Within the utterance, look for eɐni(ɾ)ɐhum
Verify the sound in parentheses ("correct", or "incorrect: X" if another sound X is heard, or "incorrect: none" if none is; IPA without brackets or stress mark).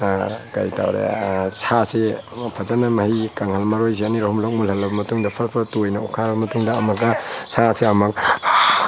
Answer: correct